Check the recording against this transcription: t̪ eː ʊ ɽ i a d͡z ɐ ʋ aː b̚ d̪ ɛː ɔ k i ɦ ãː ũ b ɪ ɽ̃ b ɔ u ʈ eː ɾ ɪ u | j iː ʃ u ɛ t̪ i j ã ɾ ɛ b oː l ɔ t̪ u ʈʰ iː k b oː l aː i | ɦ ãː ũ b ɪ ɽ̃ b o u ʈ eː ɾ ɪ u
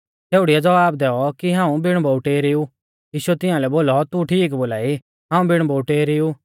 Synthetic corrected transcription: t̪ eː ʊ ɽ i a d͡z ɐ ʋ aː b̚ d̪ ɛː ɔ k i ɦ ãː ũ b ɪ ɽ̃ b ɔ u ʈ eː ɾ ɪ u | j iː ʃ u ɛ t̪ ɪ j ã l ɛ b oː l ɔ t̪ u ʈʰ iː k b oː l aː i | ɦ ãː ũ b ɪ ɽ̃ b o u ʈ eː ɾ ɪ u